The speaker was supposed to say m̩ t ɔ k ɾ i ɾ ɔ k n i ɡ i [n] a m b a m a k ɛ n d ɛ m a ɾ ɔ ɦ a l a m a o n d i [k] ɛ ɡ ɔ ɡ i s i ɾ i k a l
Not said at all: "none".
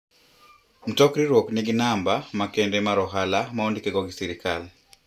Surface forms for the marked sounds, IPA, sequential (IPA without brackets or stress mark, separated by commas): n, k